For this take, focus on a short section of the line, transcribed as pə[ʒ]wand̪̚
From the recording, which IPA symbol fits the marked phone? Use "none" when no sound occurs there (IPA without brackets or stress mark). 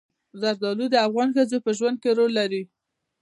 ʒ